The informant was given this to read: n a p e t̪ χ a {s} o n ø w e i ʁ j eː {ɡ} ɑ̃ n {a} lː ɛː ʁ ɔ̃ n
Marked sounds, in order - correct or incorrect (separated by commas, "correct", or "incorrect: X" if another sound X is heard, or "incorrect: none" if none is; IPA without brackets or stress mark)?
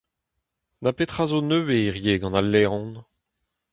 incorrect: z, correct, correct